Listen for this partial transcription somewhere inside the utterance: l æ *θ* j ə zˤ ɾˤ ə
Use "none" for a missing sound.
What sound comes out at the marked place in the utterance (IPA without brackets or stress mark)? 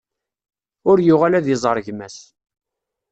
ð